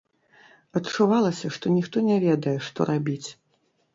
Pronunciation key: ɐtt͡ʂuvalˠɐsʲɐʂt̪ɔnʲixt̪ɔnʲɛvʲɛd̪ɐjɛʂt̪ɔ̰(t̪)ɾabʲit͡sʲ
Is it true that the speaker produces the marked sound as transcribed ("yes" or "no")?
no